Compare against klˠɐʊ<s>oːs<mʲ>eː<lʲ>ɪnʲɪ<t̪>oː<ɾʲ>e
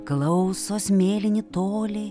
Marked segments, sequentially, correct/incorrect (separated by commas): correct, correct, correct, correct, incorrect